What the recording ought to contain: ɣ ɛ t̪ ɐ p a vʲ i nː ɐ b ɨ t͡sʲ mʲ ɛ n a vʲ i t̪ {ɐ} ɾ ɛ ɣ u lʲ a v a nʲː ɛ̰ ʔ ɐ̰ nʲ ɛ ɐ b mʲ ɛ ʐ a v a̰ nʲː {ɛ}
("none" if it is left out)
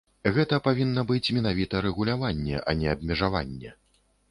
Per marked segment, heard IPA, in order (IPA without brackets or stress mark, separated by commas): ɐ, ɛ